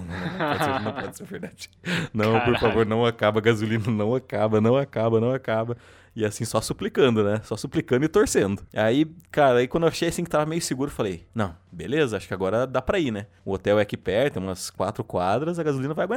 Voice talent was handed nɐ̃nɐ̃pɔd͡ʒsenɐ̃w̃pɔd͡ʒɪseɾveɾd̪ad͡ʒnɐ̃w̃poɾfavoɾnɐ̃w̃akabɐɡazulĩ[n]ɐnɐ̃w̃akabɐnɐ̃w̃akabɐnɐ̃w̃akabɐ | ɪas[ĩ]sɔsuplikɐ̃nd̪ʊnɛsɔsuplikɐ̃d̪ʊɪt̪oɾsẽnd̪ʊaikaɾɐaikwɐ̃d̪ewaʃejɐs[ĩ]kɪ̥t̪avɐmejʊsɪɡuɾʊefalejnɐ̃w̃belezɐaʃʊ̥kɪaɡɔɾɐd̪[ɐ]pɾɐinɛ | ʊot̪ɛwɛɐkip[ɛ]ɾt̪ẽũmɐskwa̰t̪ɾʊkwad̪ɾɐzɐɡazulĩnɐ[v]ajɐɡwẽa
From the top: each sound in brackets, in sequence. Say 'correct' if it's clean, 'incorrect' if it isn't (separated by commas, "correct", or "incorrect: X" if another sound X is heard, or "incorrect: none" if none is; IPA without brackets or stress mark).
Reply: correct, correct, correct, incorrect: a, correct, correct